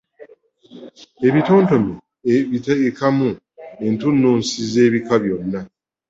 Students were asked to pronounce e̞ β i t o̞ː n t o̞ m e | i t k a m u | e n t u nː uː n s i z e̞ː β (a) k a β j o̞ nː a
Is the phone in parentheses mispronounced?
yes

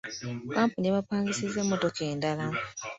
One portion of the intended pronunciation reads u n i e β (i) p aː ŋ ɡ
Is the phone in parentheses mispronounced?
yes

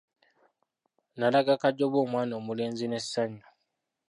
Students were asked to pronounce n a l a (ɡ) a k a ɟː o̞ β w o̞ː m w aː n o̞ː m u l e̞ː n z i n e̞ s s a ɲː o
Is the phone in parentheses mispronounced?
no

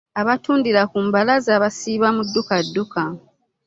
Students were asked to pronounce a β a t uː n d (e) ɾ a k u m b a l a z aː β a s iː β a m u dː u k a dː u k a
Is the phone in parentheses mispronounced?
yes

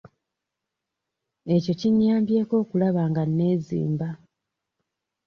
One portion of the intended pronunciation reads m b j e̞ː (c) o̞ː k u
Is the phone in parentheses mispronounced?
yes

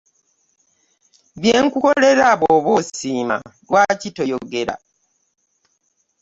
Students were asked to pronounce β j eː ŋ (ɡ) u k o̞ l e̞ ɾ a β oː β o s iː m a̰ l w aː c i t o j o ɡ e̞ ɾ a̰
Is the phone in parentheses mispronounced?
yes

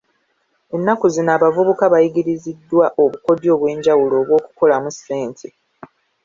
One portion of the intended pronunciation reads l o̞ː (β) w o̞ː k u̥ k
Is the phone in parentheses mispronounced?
no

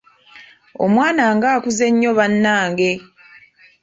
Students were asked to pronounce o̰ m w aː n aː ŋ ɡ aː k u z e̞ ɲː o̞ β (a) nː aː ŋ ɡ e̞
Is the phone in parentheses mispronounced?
no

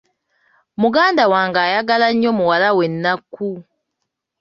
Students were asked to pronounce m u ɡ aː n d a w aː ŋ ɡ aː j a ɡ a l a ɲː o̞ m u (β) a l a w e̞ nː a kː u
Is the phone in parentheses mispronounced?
yes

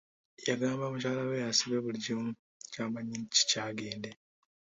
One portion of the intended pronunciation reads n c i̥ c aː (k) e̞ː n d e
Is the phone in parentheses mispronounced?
yes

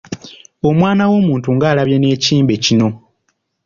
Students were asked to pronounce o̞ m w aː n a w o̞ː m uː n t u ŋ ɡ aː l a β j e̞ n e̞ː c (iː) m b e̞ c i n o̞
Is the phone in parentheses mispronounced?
no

